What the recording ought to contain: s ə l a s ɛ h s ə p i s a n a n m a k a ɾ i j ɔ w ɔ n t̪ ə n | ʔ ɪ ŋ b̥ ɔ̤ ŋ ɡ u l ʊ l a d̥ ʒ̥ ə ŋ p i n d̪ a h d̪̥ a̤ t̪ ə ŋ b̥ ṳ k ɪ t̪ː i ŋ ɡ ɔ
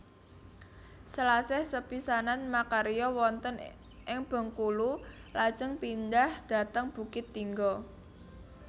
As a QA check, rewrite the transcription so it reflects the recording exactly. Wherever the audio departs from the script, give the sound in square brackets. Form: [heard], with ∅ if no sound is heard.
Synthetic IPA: s ə l a s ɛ h s ə p i s a n a n m a k a ɾ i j ɔ w ɔ n t̪ ə n | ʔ ɪ ŋ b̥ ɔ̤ ŋ [k] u l [u] l a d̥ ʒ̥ ə ŋ p i n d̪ a h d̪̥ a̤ t̪ ə ŋ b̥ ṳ k ɪ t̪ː i ŋ ɡ ɔ